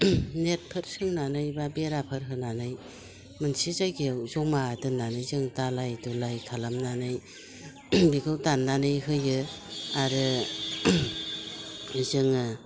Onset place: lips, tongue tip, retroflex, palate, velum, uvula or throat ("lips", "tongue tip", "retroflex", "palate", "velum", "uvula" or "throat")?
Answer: tongue tip